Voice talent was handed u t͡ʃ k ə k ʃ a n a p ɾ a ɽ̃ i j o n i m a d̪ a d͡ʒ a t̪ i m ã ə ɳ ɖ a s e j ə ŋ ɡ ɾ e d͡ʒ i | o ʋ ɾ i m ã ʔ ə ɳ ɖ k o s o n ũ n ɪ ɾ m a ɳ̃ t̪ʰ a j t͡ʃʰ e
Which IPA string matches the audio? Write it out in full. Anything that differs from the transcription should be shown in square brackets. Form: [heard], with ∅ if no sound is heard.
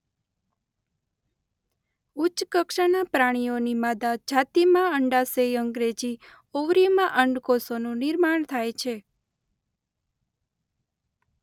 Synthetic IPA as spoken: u t͡ʃ k ə k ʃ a n a p ɾ a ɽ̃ i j o n i m a d̪ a d͡ʒ a t̪ i m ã ə ɳ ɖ a s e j ə ŋ ɡ ɾ e d͡ʒ i | o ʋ ɾ i m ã ʔ ə ɳ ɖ k o s o n ũ n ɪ ɾ m a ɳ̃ t̪ʰ a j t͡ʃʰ e